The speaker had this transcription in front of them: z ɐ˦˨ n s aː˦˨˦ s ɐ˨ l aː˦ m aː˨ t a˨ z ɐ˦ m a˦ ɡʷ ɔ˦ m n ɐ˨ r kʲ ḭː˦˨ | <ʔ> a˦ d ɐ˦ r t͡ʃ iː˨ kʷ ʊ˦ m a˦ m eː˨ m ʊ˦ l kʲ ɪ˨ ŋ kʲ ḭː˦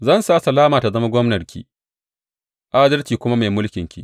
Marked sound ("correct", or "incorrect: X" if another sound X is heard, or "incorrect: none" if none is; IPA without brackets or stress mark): correct